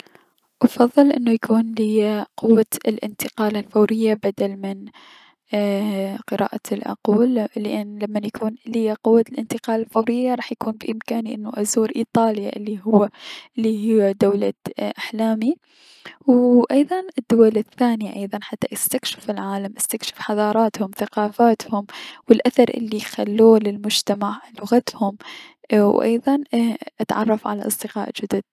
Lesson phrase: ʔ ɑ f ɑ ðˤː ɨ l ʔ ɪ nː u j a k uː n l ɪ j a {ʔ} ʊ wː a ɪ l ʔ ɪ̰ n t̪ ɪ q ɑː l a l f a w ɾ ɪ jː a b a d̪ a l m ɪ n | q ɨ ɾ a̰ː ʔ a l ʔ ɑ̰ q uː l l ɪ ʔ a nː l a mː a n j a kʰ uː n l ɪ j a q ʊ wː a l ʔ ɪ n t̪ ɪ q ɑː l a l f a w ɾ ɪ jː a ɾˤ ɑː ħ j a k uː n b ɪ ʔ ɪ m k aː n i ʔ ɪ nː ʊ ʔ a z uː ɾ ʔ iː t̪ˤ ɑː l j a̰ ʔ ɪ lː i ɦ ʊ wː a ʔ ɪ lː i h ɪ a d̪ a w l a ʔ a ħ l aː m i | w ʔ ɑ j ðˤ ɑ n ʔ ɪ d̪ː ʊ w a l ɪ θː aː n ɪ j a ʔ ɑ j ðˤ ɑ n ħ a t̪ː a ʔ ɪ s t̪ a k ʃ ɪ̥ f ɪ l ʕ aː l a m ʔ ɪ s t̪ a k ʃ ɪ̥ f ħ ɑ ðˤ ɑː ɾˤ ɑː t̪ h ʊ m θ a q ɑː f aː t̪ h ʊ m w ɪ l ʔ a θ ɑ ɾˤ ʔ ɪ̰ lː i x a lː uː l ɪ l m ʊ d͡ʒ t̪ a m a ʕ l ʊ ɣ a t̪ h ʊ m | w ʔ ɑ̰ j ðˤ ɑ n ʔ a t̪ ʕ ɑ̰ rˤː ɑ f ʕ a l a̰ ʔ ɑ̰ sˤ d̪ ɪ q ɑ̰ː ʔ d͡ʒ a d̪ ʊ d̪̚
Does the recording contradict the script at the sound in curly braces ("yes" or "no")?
yes